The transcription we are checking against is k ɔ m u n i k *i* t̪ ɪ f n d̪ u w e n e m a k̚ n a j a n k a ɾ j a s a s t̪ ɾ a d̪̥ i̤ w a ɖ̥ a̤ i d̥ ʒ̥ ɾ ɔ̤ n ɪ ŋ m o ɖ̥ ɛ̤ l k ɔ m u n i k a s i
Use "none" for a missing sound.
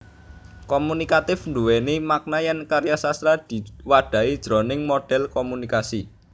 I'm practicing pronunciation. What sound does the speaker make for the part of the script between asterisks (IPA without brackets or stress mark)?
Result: a